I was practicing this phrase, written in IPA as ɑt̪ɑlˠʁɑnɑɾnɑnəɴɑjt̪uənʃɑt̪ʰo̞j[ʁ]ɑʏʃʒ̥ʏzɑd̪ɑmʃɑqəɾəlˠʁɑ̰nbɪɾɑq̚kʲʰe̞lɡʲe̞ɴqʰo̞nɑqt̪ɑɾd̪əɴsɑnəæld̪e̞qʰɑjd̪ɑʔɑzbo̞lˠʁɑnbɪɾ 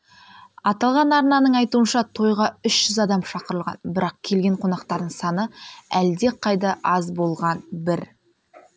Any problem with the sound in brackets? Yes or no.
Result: no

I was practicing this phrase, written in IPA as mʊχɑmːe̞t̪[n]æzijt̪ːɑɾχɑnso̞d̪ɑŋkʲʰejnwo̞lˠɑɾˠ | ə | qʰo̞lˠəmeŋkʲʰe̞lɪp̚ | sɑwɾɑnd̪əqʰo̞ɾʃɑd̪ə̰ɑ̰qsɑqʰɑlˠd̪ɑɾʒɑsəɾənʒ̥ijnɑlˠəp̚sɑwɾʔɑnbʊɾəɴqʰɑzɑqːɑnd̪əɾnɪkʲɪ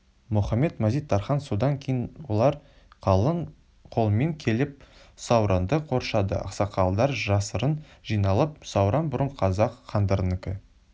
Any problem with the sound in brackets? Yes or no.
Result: yes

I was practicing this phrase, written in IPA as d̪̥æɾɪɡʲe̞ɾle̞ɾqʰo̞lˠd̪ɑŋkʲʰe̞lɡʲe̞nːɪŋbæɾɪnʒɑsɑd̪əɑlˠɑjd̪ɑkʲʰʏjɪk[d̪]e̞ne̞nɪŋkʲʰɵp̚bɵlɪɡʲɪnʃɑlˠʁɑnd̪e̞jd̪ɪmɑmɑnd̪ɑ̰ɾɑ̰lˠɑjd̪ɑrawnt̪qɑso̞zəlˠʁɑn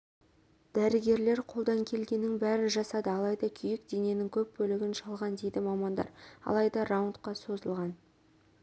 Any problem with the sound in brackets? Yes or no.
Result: no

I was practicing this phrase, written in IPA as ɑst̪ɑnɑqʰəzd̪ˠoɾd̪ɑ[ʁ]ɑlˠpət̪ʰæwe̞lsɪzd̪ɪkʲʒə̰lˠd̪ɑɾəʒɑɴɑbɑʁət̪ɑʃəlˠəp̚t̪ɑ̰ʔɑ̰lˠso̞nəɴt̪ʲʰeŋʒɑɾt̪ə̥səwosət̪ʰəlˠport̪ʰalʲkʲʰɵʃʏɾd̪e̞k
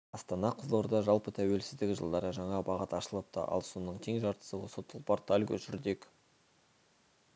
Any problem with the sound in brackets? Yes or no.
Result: yes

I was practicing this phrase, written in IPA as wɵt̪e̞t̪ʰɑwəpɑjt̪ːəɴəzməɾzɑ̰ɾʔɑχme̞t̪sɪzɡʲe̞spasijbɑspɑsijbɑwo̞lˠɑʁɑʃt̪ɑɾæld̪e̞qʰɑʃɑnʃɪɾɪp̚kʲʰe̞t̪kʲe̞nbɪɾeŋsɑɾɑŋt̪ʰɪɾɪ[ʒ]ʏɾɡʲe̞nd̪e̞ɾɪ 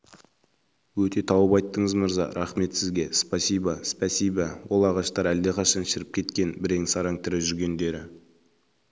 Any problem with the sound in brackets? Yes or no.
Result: no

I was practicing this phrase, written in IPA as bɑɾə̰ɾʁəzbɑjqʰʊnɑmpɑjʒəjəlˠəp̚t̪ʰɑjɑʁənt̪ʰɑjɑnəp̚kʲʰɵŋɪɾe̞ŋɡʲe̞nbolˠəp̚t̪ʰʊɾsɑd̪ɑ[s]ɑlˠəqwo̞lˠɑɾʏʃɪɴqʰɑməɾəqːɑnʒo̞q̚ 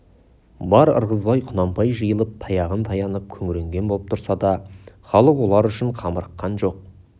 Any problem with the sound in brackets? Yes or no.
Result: yes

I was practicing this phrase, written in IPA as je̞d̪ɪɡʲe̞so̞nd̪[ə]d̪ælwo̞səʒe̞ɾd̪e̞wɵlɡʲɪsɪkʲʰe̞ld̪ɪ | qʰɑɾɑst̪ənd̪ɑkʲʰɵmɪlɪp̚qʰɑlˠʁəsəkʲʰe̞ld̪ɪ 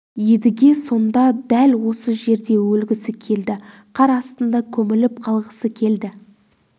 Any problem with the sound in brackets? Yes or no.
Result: yes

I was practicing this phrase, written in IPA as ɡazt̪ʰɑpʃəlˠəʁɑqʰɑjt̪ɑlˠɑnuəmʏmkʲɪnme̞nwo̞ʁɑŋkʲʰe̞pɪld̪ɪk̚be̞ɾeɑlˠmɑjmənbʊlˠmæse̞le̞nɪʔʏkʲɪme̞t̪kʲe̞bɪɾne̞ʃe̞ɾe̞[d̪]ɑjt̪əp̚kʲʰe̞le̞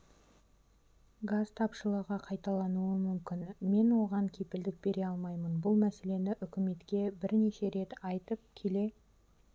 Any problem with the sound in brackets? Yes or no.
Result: yes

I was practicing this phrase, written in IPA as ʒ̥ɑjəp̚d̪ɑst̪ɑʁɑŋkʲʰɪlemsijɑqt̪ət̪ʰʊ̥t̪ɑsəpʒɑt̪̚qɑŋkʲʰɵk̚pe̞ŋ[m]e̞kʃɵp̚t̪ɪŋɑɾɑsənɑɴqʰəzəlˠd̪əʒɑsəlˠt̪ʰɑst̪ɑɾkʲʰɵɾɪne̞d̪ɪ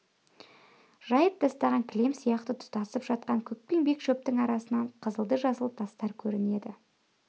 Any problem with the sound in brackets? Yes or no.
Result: yes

